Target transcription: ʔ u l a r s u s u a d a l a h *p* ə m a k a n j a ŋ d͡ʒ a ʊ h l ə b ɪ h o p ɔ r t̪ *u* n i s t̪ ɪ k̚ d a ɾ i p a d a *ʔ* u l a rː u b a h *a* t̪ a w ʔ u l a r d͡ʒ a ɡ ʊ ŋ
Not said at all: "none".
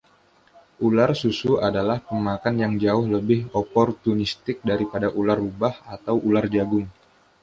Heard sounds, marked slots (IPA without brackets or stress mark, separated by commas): p, u, ʔ, a